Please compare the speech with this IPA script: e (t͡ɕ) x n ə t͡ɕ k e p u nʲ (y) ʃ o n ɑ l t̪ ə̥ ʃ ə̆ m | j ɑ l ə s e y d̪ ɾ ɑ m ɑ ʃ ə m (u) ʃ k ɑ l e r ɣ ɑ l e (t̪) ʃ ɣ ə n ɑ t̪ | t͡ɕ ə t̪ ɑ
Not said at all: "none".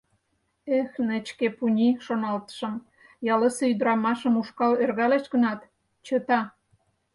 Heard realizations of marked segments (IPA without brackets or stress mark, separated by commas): none, i, u, none